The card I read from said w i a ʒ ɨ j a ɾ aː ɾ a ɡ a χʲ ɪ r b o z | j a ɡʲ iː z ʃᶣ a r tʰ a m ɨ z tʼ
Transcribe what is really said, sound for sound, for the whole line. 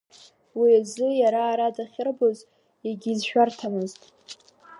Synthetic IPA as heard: w i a z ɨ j a ɾ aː ɾ a d a χʲ ɪ r b o z | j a ɡʲ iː z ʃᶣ a r tʰ a m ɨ z tʼ